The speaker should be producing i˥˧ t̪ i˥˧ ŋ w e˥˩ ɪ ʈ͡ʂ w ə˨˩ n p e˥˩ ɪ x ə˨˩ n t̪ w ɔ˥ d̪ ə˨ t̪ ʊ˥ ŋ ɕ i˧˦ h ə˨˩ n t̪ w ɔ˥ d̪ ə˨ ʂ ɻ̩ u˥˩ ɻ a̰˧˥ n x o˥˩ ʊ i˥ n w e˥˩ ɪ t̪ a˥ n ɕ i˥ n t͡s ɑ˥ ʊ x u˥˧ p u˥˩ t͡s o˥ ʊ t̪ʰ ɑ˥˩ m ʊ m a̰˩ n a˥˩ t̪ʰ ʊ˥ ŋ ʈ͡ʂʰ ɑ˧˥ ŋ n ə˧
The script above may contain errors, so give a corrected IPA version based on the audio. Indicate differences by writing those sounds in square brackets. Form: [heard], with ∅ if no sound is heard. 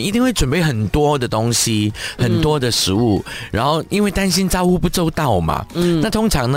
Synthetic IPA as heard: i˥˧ t̪ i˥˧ ŋ w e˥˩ ɪ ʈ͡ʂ w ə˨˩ n p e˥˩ ɪ x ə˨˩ n t̪ w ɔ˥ d̪ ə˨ t̪ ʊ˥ ŋ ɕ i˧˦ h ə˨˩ n t̪ w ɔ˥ d̪ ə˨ ʂ ɻ̩ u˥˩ ɻ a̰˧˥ n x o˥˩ ʊ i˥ n w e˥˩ ɪ t̪ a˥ n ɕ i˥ n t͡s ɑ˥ ʊ x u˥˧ p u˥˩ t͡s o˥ ʊ [t̪] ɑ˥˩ [∅] ʊ m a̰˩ n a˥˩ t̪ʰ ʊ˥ ŋ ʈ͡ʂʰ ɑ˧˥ ŋ n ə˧